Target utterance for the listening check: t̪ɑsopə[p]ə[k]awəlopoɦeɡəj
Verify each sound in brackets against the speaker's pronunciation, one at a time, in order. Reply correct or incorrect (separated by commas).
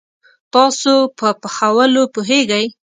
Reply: correct, incorrect